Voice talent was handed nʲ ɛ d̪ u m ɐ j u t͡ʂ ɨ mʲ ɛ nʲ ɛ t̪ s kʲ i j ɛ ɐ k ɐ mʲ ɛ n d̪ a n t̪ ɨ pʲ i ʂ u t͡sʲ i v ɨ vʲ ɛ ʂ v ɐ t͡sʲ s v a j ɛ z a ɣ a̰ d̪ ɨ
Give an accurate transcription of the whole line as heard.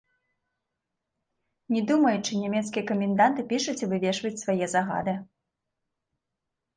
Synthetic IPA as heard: nʲ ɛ d̪ u m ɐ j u t͡ʂ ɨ nʲ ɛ mʲ ɛ t̪ s kʲ i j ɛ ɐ k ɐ mʲ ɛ n d̪ a n t̪ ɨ pʲ i ʂ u t͡sʲ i v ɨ vʲ ɛ ʂ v ɐ t͡sʲ s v a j ɛ z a ɣ a̰ d̪ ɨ